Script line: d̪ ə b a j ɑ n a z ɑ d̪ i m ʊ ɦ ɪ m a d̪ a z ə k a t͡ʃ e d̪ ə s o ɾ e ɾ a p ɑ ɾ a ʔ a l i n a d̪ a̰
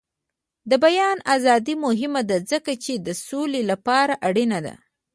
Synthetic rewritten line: d̪ ə b a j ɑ n a z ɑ d̪ i m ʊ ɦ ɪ m a d̪ a z ə k a t͡ʃ e d̪ ə s o l e l a p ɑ ɾ a ʔ a ɽ i n a d̪ a̰